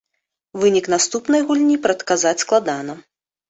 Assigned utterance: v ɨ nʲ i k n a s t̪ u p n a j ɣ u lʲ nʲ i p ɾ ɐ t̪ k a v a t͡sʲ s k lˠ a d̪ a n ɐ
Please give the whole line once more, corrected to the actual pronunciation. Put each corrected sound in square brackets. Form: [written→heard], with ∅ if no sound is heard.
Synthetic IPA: v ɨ nʲ i k n a s t̪ u p n [a→ɐ] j ɣ u lʲ nʲ i p ɾ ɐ t̪ k a [v→z] a t͡sʲ s k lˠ a d̪ a n ɐ